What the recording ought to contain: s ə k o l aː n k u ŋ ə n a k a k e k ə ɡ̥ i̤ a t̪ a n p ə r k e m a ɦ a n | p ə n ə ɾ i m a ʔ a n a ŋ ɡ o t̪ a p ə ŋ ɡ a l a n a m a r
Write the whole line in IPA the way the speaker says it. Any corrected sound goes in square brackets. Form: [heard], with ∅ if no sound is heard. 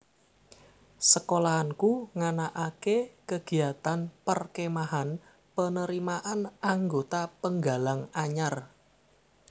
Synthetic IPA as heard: s ə k o l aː n k u ŋ [a] n a [ʔ] a k e k ə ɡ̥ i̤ a t̪ a n p ə r k e m a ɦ a n | p ə n ə ɾ i m a ʔ a n a ŋ ɡ o t̪ a p ə ŋ ɡ a l a [ŋ] a [ɲ] a r